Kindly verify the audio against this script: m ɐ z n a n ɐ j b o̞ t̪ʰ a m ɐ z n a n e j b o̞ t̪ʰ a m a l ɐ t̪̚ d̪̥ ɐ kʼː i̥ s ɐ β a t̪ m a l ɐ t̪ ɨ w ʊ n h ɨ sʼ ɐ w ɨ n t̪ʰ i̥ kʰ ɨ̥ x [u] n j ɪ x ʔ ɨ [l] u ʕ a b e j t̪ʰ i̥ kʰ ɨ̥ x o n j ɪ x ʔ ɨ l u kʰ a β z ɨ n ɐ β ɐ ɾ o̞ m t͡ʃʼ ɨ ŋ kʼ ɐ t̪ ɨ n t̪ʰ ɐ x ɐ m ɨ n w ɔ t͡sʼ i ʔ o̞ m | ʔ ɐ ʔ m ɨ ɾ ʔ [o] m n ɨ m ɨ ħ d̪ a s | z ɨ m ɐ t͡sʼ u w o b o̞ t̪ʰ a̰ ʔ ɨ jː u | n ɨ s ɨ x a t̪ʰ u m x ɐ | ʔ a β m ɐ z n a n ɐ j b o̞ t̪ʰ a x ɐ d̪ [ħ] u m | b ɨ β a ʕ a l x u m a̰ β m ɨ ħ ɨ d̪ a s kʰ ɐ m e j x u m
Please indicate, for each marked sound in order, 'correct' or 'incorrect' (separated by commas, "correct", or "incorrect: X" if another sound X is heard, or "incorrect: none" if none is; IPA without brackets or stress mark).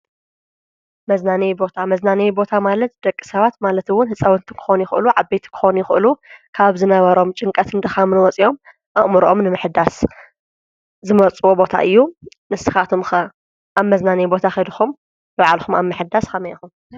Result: incorrect: o, correct, correct, incorrect: x